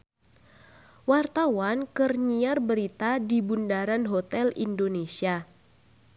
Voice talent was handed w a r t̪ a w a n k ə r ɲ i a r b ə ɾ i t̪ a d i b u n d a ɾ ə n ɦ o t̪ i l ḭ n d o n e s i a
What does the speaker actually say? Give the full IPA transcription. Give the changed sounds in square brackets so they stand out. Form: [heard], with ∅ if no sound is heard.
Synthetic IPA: w a r t̪ a w a n k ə r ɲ i a r b ə ɾ i t̪ a d i b u n d a ɾ [a] n ɦ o t̪ [ɛ] l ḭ n d o n e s i a